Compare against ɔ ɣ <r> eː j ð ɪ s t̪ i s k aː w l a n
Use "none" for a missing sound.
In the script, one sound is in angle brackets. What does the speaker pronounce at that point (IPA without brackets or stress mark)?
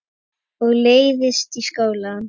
l